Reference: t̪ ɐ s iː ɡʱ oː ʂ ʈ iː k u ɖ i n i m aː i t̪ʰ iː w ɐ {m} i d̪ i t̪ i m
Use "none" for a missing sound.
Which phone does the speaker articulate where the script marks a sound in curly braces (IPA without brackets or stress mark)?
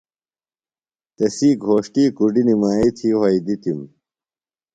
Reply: none